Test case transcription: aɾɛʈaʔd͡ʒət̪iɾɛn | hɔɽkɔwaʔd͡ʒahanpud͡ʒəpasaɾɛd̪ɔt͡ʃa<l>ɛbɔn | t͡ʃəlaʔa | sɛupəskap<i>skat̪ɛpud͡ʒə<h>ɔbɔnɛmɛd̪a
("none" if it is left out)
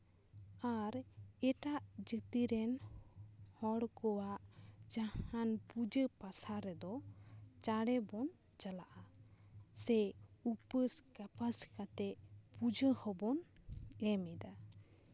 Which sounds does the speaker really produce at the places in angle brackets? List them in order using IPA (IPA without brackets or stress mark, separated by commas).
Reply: ɽ, a, h